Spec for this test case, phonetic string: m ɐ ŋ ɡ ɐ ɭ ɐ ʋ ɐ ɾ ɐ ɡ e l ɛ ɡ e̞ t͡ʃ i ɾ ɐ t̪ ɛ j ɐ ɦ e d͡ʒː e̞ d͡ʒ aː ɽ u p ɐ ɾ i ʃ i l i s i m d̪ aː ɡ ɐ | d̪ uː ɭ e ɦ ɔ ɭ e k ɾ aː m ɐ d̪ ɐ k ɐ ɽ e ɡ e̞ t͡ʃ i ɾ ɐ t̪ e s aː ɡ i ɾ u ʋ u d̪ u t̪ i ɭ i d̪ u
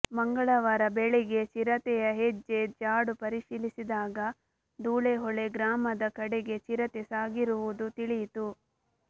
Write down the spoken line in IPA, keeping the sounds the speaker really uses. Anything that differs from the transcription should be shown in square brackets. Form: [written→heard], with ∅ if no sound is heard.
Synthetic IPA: m ɐ ŋ ɡ ɐ ɭ ɐ ʋ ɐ ɾ ɐ [ɡ→b] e [l→ɭ] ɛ ɡ e̞ t͡ʃ i ɾ ɐ t̪ ɛ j ɐ ɦ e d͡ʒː e̞ d͡ʒ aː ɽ u p ɐ ɾ i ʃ i l i s i [m→∅] d̪ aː ɡ ɐ | d̪ uː ɭ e ɦ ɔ ɭ e [k→ɡ] ɾ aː m ɐ d̪ ɐ k ɐ ɽ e ɡ e̞ t͡ʃ i ɾ ɐ t̪ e s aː ɡ i ɾ u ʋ u d̪ u t̪ i ɭ i [d̪→t̪] u

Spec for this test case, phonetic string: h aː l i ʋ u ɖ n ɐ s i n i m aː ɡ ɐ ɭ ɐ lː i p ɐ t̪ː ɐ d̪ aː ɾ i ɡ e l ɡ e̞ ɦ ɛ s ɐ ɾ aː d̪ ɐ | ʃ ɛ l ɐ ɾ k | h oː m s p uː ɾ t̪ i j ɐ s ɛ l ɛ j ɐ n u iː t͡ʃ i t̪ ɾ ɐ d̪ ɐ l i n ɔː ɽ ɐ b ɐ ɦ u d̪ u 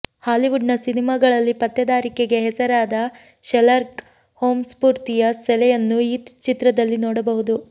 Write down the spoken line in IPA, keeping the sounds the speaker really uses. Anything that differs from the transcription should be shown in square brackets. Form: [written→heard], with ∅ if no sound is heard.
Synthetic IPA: h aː l i ʋ u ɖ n ɐ s i n i m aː ɡ ɐ ɭ ɐ lː i p ɐ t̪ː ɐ d̪ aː ɾ i [ɡ→k] e [l→∅] ɡ e̞ ɦ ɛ s ɐ ɾ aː d̪ ɐ | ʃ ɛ l ɐ ɾ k | h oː m s p uː ɾ t̪ i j ɐ s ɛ l ɛ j ɐ [n→nː] u iː t͡ʃ i t̪ ɾ ɐ d̪ ɐ [l→lː] i n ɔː ɽ ɐ b ɐ ɦ u d̪ u

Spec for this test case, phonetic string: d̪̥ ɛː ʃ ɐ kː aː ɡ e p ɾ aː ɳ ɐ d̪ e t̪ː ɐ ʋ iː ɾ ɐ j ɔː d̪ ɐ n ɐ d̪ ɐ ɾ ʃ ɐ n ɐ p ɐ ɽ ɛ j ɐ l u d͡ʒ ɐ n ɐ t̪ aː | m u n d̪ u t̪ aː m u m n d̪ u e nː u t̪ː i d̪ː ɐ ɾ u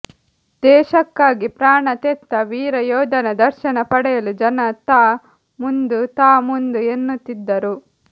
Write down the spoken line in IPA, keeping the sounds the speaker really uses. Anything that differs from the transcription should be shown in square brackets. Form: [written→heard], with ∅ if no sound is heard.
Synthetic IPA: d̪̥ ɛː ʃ ɐ kː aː ɡ [e→i] p ɾ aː ɳ ɐ [d̪→t̪] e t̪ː ɐ ʋ iː ɾ ɐ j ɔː d̪ ɐ n ɐ d̪ ɐ ɾ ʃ ɐ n ɐ p ɐ ɽ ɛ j ɐ l u d͡ʒ ɐ n ɐ t̪ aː | m u n d̪ u t̪ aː m u [m→∅] n d̪ u e nː u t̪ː i d̪ː ɐ ɾ u

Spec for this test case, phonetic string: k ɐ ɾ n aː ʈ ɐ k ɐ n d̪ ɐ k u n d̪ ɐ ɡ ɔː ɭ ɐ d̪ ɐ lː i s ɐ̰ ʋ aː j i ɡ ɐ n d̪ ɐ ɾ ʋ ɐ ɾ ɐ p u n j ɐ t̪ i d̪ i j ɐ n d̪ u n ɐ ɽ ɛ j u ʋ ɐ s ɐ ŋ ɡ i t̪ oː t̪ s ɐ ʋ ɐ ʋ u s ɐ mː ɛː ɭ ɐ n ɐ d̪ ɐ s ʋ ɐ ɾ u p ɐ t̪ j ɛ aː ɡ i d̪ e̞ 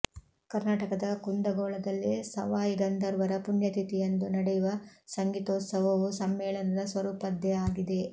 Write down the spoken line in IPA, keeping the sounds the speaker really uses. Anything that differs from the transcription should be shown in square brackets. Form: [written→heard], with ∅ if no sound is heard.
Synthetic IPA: k ɐ ɾ n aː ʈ ɐ k ɐ [n→∅] d̪ ɐ k u n d̪ ɐ ɡ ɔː ɭ ɐ d̪ ɐ lː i s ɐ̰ ʋ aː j i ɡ ɐ n d̪ ɐ ɾ ʋ ɐ ɾ ɐ p u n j ɐ t̪ i [d̪→t̪] i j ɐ n d̪ u n ɐ ɽ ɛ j u ʋ ɐ s ɐ ŋ ɡ i t̪ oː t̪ s ɐ ʋ ɐ ʋ u s ɐ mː ɛː ɭ ɐ n ɐ d̪ ɐ s ʋ ɐ ɾ [u→uː] p ɐ [t̪→d̪] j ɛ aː ɡ i d̪ e̞

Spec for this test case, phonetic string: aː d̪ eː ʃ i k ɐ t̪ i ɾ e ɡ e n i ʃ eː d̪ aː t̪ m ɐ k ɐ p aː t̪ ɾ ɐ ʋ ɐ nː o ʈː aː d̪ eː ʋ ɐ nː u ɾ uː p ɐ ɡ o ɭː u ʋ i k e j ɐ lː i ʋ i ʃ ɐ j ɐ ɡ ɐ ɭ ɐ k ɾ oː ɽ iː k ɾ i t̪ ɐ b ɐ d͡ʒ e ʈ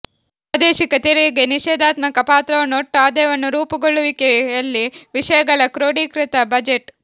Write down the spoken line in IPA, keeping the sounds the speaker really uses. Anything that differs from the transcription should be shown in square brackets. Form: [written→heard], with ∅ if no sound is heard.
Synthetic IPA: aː d̪ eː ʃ i k ɐ t̪ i ɾ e ɡ e n i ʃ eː d̪ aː t̪ m ɐ k ɐ p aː t̪ ɾ ɐ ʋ ɐ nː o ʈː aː d̪ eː ʋ ɐ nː u ɾ uː p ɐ ɡ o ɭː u ʋ i k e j ɐ lː i ʋ i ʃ ɐ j ɐ ɡ ɐ ɭ ɐ k ɾ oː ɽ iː k ɾ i t̪ ɐ b ɐ d͡ʒ e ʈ

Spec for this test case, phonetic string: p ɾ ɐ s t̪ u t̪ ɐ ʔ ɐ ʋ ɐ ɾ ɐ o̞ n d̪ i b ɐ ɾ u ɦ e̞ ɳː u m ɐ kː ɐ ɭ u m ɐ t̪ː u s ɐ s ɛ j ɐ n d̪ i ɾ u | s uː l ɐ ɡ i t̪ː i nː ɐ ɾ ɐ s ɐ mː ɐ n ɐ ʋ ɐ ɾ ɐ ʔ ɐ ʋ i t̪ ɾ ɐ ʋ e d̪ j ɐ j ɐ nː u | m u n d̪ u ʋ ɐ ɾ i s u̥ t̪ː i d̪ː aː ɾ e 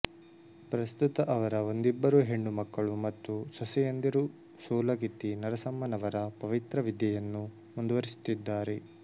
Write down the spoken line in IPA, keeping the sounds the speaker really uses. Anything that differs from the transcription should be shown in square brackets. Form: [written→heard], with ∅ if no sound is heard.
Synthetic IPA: p ɾ ɐ s t̪ u t̪ ɐ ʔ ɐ ʋ ɐ ɾ ɐ o̞ n d̪ i [b→bː] ɐ ɾ u ɦ e̞ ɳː u m ɐ kː ɐ ɭ u m ɐ t̪ː u s ɐ s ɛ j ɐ n d̪ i ɾ u | s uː l ɐ ɡ i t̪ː i [nː→n] ɐ ɾ ɐ s ɐ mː ɐ n ɐ ʋ ɐ ɾ ɐ [ʔ→p] ɐ ʋ i t̪ ɾ ɐ ʋ [e→i] d̪ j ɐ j ɐ nː u | m u n d̪ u ʋ ɐ ɾ i s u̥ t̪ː i d̪ː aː ɾ e

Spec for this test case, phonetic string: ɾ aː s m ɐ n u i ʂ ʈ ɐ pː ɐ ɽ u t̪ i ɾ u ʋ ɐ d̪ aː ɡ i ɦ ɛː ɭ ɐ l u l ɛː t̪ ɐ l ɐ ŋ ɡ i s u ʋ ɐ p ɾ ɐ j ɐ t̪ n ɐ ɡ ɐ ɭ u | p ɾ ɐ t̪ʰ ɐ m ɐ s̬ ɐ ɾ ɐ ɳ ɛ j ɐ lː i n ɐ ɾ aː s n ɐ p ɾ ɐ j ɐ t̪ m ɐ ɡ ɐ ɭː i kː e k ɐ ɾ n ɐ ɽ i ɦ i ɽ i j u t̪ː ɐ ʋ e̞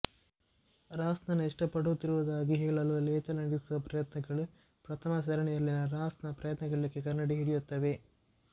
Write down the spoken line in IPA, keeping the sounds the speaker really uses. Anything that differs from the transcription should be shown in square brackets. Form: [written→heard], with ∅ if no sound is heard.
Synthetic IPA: ɾ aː s [m→n] ɐ n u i ʂ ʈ ɐ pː ɐ ɽ u t̪ i ɾ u ʋ ɐ d̪ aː ɡ i ɦ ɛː ɭ ɐ l u l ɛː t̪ ɐ l ɐ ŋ ɡ i s u ʋ ɐ p ɾ ɐ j ɐ t̪ n ɐ ɡ ɐ ɭ u | p ɾ ɐ t̪ʰ ɐ m ɐ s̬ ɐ ɾ ɐ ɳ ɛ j ɐ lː i n ɐ ɾ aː s n ɐ p ɾ ɐ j ɐ t̪ [m→n] ɐ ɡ ɐ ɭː i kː e k ɐ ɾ n ɐ ɽ i ɦ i ɽ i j u t̪ː ɐ ʋ e̞

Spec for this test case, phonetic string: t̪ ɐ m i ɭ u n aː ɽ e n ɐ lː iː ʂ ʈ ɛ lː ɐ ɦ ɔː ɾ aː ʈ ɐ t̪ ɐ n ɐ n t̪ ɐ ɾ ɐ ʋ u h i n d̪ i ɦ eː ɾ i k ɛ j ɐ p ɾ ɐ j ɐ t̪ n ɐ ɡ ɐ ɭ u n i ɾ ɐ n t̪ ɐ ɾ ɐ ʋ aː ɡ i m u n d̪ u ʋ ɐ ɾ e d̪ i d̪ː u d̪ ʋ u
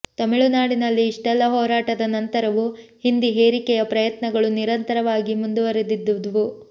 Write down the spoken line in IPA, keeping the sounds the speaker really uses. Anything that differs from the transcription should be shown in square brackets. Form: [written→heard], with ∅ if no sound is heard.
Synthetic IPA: t̪ ɐ m i ɭ u n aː ɽ [e→i] n ɐ lː iː ʂ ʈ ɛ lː ɐ ɦ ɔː ɾ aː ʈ ɐ [t̪→d̪] ɐ n ɐ n t̪ ɐ ɾ ɐ ʋ u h i n d̪ i ɦ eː ɾ i k ɛ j ɐ p ɾ ɐ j ɐ t̪ n ɐ ɡ ɐ ɭ u n i ɾ ɐ n t̪ ɐ ɾ ɐ ʋ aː ɡ i m u n d̪ u ʋ ɐ ɾ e d̪ i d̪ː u d̪ ʋ u

